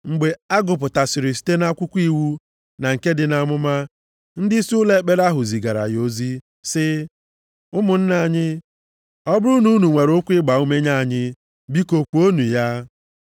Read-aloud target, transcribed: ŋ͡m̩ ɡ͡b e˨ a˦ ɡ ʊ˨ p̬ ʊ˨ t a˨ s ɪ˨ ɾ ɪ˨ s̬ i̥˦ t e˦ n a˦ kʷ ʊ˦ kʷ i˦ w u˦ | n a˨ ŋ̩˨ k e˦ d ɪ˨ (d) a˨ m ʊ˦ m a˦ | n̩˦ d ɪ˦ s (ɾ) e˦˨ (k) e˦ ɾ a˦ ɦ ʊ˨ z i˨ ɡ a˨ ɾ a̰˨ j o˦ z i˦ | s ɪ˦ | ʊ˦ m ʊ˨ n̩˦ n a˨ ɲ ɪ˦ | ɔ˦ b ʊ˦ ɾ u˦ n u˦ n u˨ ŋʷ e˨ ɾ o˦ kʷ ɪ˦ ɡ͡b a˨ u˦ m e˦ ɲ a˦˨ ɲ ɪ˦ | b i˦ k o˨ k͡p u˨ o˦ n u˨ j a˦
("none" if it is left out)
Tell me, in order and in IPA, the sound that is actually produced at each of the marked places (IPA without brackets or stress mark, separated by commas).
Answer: n, l, k͡p